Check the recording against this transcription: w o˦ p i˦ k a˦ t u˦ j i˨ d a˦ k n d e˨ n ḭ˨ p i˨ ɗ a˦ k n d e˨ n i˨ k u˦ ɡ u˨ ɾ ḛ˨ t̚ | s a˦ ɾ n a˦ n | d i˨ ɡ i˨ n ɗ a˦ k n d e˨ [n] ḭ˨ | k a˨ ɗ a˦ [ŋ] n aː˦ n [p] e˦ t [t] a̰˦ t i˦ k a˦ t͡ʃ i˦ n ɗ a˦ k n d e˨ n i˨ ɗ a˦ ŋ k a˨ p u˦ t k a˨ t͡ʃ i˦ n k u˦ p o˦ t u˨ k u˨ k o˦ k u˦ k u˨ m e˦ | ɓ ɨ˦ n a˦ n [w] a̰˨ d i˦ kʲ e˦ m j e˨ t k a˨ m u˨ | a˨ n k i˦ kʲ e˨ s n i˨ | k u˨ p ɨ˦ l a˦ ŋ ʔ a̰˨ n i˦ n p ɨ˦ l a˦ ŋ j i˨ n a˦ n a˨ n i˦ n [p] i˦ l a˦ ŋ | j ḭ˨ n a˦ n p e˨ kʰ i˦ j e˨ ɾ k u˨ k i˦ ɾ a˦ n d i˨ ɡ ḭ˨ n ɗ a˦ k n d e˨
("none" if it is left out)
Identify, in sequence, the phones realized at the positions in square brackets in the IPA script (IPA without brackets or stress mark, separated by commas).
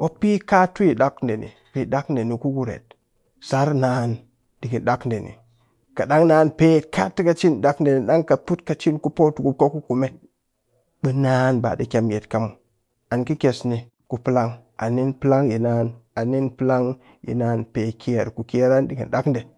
n, ŋ, p, k, b, p